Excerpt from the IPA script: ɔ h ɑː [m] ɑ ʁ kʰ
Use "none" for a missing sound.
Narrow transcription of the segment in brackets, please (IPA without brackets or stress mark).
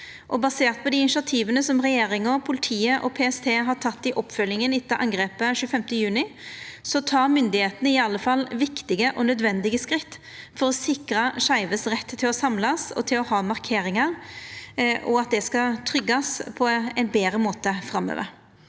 m